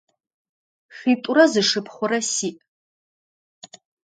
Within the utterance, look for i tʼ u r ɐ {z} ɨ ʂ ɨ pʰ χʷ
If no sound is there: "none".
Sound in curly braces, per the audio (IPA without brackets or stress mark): z